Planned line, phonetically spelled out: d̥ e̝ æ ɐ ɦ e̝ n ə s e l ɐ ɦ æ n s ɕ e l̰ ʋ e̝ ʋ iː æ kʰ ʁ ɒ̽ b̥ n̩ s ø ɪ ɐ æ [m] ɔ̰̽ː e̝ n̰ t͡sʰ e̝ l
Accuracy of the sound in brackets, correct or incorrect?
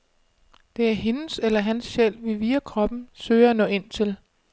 incorrect